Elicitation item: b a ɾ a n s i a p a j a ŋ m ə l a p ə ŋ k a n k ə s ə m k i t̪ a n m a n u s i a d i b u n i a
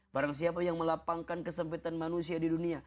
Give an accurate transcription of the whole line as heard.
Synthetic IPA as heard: b a ɾ a ŋ s i a p a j a ŋ m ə l a p a ŋ k a n k ə s ə m p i t̪ a n m a n u s i a d i d u n i a